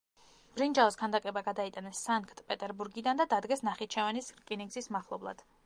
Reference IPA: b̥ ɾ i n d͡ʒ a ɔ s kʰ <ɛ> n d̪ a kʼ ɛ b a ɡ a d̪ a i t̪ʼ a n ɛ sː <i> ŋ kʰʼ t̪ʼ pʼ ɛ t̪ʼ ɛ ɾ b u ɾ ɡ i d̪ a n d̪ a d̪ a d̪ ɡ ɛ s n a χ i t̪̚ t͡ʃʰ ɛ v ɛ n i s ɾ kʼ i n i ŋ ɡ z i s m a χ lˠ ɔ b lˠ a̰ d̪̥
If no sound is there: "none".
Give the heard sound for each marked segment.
a, a

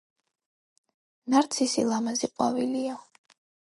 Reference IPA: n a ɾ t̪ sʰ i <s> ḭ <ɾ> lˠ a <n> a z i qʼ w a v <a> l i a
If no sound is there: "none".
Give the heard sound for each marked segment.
s, none, m, i

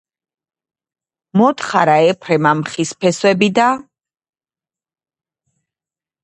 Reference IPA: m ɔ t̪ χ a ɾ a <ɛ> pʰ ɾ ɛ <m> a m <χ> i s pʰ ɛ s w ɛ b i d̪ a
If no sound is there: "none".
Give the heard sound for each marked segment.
ɛ, m, χ

